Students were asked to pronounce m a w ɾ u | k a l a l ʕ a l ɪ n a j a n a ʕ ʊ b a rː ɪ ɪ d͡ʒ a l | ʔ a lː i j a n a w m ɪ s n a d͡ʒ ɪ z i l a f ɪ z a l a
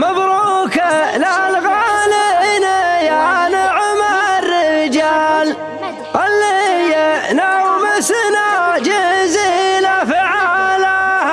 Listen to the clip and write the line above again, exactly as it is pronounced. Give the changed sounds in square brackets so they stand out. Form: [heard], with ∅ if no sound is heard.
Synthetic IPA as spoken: m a [b] ɾ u | k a l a l [ɣ] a l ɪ n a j a n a ʕ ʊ [m] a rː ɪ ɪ d͡ʒ a l | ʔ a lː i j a n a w m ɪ s n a d͡ʒ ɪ z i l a f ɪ [ʕ] a l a